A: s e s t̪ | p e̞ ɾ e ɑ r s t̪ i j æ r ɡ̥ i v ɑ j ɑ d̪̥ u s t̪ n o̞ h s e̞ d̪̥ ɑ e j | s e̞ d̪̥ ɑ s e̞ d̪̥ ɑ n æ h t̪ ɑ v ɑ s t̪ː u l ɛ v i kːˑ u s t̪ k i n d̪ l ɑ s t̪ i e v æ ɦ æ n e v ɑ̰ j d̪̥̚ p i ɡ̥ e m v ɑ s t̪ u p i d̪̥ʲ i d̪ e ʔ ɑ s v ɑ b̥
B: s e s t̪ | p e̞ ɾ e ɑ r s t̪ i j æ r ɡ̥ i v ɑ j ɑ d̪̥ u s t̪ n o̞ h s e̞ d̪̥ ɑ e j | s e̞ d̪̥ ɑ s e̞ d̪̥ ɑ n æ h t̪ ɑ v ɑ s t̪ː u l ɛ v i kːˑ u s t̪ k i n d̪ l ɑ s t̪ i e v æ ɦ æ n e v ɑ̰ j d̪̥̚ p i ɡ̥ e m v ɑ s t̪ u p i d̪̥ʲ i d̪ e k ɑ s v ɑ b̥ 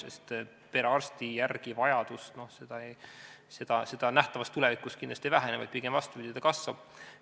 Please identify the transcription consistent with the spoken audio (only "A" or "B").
B